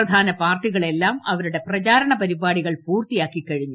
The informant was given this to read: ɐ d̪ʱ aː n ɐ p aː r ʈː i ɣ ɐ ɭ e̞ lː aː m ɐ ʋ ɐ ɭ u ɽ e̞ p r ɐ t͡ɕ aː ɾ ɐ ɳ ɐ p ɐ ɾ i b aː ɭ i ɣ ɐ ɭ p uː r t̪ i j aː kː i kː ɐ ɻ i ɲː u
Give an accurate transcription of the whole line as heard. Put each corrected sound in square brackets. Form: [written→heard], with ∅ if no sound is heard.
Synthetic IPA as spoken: ɐ d̪ʱ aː n ɐ p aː r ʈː i ɣ ɐ ɭ e̞ lː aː m ɐ ʋ ɐ [ɭ→ɾ] u ɽ e̞ p r ɐ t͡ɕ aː ɾ ɐ ɳ ɐ p ɐ ɾ i b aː [ɭ→ɽ] i ɣ ɐ ɭ p uː r t̪ i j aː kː i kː ɐ ɻ i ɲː u